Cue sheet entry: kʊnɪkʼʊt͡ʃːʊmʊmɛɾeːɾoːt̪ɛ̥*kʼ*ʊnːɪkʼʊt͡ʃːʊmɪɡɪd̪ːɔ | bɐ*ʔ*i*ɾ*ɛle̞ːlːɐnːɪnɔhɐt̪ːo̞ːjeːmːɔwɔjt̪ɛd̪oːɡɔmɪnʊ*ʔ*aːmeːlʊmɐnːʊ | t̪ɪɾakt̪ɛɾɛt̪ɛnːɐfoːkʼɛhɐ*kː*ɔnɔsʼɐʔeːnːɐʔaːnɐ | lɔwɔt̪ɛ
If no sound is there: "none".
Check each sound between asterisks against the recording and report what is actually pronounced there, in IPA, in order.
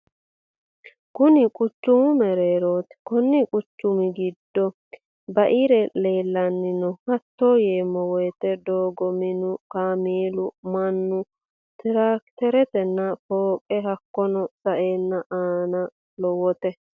k, ʔ, ɾ, k, kː

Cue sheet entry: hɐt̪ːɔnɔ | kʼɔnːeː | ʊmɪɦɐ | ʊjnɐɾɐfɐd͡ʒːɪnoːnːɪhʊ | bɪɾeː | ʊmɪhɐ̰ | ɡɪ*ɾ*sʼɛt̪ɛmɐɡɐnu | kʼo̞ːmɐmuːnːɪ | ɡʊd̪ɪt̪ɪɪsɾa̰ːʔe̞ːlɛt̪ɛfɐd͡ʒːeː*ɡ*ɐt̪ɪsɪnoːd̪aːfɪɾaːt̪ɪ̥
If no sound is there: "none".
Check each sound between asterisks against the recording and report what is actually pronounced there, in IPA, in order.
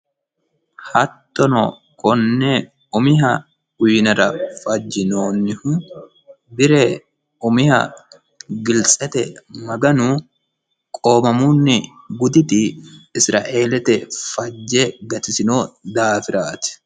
l, ɡ

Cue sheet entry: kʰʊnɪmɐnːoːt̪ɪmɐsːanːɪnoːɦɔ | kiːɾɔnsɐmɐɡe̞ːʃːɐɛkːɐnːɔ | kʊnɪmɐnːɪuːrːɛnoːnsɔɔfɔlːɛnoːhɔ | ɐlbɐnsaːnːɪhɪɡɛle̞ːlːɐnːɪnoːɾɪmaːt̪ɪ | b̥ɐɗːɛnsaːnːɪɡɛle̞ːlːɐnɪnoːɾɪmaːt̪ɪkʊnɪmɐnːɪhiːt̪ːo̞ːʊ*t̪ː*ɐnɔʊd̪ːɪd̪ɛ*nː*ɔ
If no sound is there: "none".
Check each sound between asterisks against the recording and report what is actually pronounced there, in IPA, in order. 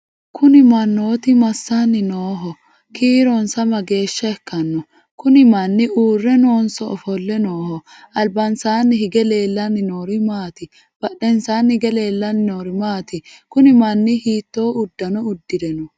d̪ː, n

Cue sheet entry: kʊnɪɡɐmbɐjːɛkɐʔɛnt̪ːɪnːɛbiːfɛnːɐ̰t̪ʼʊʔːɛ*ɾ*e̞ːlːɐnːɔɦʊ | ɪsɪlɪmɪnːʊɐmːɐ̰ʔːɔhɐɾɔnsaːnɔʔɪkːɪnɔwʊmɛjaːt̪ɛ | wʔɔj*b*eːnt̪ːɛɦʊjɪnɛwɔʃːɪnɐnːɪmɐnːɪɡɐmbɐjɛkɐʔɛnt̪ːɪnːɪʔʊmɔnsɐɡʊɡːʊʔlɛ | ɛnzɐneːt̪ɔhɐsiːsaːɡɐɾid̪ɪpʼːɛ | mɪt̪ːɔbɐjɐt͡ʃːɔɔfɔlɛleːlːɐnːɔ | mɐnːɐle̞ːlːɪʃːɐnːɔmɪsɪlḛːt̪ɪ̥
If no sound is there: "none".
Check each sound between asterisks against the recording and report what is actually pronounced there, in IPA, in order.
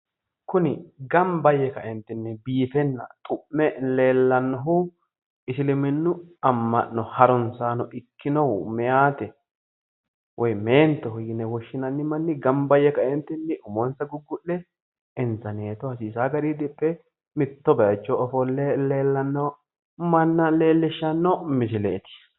l, m

